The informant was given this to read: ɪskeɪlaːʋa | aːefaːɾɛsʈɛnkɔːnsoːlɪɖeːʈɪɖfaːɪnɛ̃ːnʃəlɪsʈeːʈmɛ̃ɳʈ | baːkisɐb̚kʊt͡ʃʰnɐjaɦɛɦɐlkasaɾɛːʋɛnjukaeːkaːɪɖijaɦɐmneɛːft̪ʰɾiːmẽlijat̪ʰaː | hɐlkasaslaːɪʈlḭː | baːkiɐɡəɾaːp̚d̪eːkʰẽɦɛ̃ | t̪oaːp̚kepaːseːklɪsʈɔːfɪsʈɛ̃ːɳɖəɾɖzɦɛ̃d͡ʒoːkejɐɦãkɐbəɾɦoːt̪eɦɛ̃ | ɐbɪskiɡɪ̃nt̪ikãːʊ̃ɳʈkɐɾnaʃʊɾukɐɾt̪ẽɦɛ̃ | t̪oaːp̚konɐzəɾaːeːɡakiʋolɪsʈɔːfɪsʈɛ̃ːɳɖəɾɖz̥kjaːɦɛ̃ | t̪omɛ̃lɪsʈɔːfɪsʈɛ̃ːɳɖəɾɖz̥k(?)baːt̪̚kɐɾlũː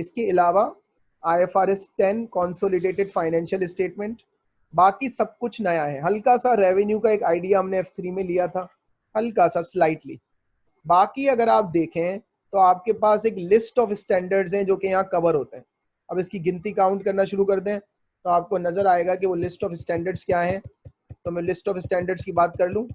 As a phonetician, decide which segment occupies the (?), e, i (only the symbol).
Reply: i